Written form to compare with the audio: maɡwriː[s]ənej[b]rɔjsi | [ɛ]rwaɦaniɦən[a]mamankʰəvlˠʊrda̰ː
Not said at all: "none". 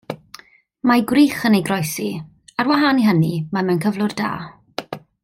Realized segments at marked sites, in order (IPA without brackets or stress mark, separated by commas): χ, ɡ, a, i